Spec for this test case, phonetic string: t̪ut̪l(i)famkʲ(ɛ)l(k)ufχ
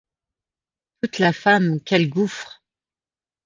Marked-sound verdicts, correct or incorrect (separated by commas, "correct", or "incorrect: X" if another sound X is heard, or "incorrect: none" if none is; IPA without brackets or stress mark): incorrect: a, correct, incorrect: ɡ